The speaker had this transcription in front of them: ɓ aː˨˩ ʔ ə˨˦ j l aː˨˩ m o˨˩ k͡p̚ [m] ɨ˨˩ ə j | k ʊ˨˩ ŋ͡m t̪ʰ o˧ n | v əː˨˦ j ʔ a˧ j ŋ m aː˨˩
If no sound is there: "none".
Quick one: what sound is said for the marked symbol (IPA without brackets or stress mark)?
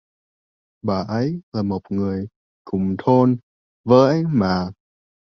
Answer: ŋ